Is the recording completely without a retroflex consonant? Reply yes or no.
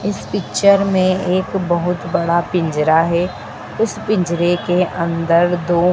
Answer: no